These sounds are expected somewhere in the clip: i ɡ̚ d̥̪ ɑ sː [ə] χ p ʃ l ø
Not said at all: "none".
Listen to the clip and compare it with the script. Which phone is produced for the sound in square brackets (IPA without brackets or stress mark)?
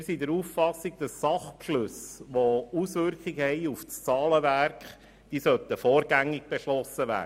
ɑ